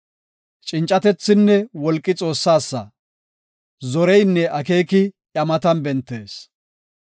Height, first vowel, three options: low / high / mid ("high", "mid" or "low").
high